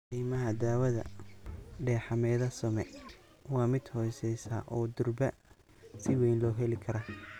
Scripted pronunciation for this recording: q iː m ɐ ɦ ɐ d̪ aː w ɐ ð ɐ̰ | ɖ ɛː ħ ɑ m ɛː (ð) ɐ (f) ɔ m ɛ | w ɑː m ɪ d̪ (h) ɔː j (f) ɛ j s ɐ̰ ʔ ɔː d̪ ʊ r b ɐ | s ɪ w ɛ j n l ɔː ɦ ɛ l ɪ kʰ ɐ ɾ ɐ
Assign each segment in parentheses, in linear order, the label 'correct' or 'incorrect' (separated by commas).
correct, incorrect, correct, incorrect